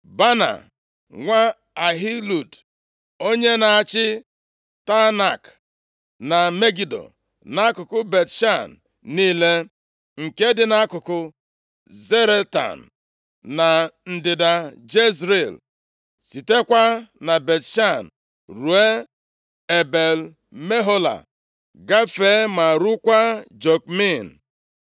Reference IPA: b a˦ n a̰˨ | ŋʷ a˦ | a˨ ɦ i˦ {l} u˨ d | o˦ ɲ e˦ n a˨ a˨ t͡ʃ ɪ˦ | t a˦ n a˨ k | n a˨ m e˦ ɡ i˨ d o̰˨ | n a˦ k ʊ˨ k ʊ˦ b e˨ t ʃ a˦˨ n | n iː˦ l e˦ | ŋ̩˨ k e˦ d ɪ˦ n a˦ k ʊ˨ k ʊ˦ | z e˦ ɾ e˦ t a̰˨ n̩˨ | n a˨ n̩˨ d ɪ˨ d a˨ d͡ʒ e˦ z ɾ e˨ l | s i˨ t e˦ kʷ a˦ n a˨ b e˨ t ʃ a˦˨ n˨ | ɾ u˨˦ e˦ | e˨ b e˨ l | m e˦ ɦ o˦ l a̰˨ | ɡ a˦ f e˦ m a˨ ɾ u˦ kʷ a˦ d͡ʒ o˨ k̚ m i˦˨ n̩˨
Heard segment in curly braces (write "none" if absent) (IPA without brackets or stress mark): l